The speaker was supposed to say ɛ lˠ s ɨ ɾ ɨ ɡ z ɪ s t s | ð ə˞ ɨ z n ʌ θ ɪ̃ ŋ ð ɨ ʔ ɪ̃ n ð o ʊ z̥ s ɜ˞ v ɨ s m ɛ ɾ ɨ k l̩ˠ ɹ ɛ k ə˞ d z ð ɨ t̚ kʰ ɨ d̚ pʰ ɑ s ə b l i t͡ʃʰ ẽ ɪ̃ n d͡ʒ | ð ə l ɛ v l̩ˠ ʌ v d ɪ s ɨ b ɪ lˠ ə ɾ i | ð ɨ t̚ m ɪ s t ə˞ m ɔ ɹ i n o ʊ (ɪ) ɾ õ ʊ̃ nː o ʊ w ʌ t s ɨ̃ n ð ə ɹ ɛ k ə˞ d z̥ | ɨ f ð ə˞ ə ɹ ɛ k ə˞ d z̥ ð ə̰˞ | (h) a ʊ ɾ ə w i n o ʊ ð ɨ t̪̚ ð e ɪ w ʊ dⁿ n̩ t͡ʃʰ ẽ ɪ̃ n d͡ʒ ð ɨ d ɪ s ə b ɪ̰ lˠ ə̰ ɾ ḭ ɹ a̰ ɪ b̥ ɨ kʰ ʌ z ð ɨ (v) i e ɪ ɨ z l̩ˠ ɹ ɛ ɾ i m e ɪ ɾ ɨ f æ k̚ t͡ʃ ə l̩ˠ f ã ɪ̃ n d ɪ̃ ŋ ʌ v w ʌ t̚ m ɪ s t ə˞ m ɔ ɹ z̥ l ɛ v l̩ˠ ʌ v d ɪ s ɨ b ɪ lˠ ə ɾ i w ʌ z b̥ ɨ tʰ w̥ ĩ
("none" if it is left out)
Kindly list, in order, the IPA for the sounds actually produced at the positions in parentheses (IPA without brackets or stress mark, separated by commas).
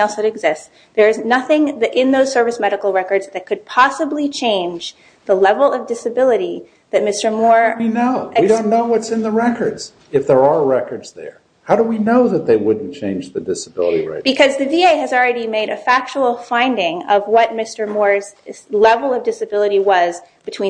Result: i, h, v